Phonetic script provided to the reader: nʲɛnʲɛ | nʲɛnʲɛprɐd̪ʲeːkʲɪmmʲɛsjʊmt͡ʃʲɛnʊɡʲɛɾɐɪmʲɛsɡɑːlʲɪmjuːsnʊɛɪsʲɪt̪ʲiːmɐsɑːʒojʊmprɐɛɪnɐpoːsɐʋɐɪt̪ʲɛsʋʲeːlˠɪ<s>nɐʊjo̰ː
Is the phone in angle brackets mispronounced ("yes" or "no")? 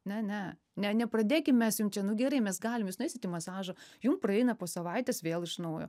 yes